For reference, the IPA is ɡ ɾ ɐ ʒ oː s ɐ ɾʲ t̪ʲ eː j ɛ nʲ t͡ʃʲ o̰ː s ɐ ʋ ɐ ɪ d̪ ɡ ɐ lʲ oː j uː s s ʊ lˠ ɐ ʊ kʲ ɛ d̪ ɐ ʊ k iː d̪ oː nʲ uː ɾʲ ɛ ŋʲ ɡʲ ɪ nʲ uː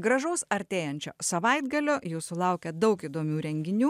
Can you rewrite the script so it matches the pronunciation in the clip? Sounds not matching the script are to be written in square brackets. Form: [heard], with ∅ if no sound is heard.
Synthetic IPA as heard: ɡ ɾ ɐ ʒ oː s ɐ ɾʲ t̪ʲ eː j ɛ nʲ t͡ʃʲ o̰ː s ɐ ʋ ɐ ɪ d̪ ɡ ɐ lʲ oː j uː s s ʊ lˠ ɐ ʊ kʲ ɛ d̪ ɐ ʊ k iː d̪ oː [mʲ] uː ɾʲ ɛ ŋʲ ɡʲ ɪ nʲ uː